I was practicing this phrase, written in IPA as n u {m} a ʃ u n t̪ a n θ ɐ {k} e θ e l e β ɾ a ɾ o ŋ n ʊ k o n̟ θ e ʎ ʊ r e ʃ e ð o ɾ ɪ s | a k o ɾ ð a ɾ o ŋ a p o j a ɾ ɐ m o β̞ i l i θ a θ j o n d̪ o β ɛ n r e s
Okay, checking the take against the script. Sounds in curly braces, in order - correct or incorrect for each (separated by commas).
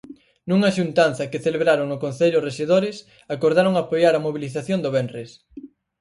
incorrect, correct